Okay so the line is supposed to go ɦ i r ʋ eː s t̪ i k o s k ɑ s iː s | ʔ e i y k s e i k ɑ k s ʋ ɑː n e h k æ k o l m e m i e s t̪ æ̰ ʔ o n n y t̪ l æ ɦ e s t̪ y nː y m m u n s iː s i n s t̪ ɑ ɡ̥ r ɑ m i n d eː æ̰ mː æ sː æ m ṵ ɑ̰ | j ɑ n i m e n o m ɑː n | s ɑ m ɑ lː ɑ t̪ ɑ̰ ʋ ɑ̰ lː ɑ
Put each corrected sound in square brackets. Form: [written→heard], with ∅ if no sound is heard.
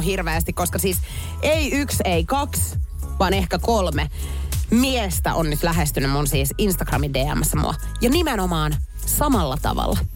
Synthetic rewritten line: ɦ i r ʋ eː s t̪ i k o s k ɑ s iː s | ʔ e i y k s e i k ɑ k s ʋ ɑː n e h k æ k o l m e m i e s t̪ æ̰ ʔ o n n y t̪ l æ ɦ e s t̪ y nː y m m u n s iː s i n s t̪ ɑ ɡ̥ r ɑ m i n d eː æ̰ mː æ sː æ m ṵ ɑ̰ | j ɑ n i m e n o m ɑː n | s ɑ m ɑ lː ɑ t̪ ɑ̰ ʋ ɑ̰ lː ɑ